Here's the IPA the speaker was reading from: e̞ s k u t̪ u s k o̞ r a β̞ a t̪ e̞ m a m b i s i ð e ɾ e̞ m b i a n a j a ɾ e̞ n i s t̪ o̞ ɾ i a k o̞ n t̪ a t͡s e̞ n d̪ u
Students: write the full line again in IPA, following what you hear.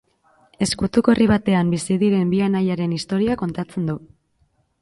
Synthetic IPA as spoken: e̞ s k u t̪ u k o̞ r i β̞ a t̪ e̞ a m b i s i ð i ɾ e̞ m b i a n a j a ɾ e̞ n i s t̪ o̞ ɾ i a k o̞ n t̪ a t͡s e̞ n d̪ u